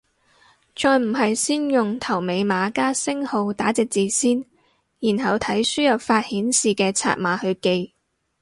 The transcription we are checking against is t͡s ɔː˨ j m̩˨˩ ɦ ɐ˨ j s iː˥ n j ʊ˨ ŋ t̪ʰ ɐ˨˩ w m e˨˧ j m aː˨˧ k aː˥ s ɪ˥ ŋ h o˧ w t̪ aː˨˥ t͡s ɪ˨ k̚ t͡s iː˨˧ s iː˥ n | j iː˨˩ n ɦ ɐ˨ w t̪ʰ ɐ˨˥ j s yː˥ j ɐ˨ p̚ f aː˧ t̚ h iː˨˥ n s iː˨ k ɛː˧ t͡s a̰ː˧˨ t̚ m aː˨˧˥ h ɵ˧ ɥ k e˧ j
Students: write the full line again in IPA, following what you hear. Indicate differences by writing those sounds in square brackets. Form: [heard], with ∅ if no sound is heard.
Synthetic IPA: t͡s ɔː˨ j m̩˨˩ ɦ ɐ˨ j s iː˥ n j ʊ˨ ŋ t̪ʰ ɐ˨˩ w m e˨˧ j m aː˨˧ k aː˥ s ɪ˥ ŋ h o˧ w t̪ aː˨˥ t͡s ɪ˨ k̚ t͡s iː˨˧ s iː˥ n | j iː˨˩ n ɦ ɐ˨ w t̪ʰ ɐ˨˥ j s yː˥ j ɐ˨ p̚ f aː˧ t̚ h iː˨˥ n s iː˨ k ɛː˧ [t͡sʰ] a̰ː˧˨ t̚ m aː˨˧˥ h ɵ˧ ɥ k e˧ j